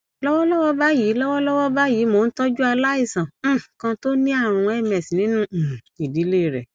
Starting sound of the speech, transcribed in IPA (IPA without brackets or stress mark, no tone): l